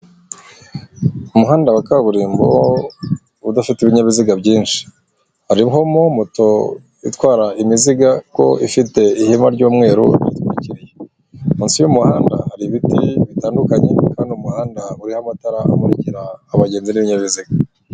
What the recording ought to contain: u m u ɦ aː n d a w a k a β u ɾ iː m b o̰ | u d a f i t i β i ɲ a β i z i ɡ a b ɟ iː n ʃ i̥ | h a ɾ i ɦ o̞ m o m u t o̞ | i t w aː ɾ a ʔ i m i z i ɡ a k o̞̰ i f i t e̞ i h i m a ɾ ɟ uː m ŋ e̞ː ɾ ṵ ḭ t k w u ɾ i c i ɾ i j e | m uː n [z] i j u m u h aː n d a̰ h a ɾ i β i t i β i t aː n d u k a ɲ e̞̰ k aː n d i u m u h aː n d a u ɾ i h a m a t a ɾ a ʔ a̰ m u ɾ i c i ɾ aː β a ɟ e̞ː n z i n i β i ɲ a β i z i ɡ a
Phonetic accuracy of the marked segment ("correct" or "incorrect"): incorrect